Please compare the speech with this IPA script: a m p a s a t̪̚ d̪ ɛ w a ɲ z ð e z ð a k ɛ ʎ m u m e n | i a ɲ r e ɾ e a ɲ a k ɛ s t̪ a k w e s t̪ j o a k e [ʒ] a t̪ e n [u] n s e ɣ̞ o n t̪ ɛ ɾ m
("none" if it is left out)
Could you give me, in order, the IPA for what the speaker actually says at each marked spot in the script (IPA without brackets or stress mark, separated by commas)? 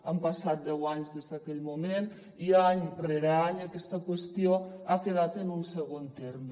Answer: ð, u